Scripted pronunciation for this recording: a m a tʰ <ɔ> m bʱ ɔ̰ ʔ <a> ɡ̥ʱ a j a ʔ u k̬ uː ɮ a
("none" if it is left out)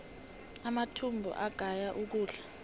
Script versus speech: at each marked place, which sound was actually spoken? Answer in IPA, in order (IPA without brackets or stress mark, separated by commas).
u, a